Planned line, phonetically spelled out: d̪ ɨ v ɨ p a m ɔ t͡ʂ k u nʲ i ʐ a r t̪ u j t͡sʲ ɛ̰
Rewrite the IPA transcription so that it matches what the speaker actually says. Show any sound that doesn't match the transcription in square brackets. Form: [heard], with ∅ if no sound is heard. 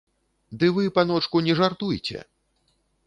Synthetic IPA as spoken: d̪ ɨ v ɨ p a [n] ɔ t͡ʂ k u nʲ [ɛ] ʐ a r t̪ u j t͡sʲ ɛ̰

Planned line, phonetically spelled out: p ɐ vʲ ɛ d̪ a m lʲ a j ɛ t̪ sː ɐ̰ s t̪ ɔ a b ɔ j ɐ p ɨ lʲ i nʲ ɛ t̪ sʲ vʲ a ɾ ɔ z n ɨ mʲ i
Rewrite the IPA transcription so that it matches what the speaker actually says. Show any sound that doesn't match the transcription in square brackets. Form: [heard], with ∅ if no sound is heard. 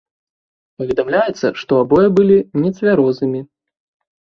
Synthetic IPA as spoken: p ɐ vʲ ɛ d̪ a m lʲ a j ɛ t̪ sː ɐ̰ [ʂ] t̪ ɔ a b ɔ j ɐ [b] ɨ lʲ i nʲ ɛ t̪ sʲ vʲ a ɾ ɔ z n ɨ mʲ i

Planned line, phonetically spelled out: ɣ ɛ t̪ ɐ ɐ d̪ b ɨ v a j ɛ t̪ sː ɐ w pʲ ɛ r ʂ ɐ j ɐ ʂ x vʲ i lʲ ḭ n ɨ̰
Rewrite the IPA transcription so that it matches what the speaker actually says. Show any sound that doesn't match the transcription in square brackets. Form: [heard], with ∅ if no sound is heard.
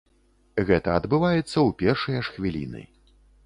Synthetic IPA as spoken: ɣ ɛ t̪ ɐ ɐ d̪ b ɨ v a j ɛ t̪ sː ɐ w pʲ ɛ r ʂ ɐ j ɐ ʂ x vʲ i lʲ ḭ n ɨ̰

